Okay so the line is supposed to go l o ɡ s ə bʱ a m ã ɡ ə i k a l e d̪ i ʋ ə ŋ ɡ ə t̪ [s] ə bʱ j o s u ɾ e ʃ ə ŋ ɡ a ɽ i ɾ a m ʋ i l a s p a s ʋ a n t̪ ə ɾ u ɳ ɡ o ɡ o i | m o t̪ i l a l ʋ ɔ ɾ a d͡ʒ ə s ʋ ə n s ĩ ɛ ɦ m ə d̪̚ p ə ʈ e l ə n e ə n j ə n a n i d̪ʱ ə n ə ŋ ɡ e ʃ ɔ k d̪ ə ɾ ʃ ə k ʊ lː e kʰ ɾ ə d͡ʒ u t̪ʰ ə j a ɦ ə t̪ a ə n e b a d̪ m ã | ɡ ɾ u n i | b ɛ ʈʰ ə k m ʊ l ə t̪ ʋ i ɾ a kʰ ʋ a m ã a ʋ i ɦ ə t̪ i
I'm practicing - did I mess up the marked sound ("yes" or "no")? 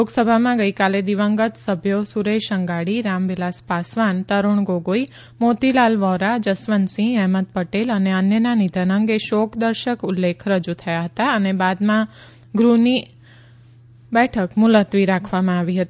no